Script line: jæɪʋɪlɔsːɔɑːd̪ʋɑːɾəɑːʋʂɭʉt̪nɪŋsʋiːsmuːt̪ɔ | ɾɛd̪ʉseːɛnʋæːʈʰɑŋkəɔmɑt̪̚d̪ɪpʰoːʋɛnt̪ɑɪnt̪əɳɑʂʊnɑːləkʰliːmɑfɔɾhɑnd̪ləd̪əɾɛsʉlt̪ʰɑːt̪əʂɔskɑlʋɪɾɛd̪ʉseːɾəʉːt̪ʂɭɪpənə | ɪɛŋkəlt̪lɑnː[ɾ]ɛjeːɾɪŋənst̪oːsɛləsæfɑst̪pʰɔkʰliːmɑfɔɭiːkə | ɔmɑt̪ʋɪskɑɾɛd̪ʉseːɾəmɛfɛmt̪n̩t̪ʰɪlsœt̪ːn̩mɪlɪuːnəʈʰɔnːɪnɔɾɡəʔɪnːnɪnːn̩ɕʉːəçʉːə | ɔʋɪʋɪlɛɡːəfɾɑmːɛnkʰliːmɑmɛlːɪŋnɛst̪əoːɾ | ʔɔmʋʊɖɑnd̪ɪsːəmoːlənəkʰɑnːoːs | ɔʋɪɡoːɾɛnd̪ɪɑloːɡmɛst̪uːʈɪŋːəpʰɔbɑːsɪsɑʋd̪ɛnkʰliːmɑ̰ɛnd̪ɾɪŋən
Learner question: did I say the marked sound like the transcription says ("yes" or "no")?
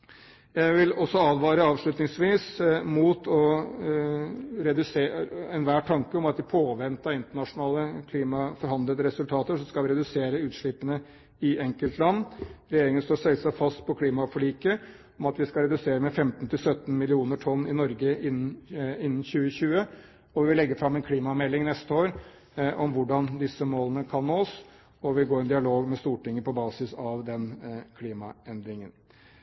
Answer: yes